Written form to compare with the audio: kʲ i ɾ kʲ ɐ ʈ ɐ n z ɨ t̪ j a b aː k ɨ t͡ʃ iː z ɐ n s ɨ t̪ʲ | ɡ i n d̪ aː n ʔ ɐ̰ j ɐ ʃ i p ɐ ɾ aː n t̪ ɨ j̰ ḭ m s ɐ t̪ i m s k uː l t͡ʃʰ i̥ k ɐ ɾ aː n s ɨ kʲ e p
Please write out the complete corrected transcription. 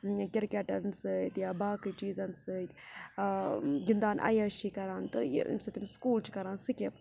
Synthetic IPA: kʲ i ɾ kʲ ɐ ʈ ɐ n s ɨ t̪ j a b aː k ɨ t͡ʃ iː z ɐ n s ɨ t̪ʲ | ɡ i n d̪ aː n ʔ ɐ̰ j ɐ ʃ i k ɐ ɾ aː n t̪ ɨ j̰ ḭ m s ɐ t̪ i m s k uː l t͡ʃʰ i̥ k ɐ ɾ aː n s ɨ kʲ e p